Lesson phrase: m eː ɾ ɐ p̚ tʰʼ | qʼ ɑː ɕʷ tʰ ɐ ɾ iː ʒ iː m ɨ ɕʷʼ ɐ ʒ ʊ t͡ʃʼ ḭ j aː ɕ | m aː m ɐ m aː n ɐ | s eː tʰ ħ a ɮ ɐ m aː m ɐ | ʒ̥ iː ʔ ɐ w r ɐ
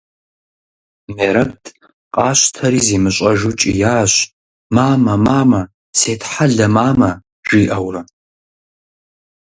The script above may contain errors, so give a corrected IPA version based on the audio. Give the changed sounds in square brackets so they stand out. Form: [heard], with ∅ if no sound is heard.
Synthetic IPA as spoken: m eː ɾ ɐ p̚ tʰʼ | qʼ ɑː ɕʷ tʰ ɐ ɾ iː [z] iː m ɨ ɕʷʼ ɐ ʒ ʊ t͡ʃʼ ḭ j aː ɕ | m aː m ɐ m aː [m] ɐ | s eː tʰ ħ a ɮ ɐ m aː m ɐ | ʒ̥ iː ʔ ɐ w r ɐ